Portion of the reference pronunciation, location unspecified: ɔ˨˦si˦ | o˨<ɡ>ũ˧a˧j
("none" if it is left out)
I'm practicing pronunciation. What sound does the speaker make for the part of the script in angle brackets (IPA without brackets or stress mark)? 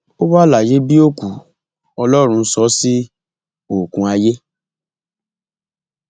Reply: k